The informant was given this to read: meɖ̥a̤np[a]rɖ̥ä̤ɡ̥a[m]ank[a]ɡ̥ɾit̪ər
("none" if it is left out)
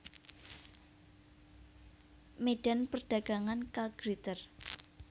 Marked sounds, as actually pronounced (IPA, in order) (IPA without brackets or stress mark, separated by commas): ə, ŋ, a